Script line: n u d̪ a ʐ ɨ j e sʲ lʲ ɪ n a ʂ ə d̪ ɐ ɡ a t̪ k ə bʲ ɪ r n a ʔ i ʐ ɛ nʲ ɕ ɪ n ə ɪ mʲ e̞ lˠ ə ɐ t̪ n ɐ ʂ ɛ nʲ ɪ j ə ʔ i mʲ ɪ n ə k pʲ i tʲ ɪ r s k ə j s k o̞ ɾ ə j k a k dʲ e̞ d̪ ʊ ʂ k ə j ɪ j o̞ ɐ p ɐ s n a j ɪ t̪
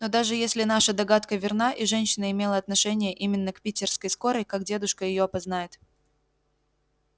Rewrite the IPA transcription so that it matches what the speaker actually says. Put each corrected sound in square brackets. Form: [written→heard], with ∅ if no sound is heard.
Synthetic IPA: n [u→o] d̪ a ʐ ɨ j e sʲ lʲ ɪ n a ʂ ə d̪ ɐ ɡ a t̪ k ə [bʲ→vʲ] ɪ r n a ʔ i ʐ ɛ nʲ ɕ ɪ n ə ɪ mʲ e̞ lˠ ə ɐ t̪ n ɐ ʂ ɛ nʲ ɪ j ə ʔ i mʲ ɪ [n→nː] ə k pʲ i tʲ ɪ r s k ə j s k o̞ ɾ ə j k a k dʲ e̞ d̪ ʊ ʂ k ə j ɪ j o̞ ɐ p ɐ [s→z] n a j ɪ t̪